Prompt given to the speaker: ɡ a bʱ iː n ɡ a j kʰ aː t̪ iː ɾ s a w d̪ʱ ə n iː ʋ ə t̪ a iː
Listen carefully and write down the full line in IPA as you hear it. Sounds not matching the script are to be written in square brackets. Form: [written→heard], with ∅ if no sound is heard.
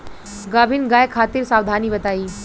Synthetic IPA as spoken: ɡ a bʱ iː n ɡ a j kʰ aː t̪ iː ɾ s a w d̪ʱ [ə→a] n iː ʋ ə t̪ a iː